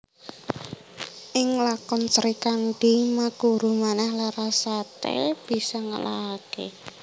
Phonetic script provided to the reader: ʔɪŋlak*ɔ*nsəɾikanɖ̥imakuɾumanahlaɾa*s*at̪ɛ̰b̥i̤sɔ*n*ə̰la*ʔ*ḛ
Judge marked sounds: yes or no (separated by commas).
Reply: yes, yes, no, no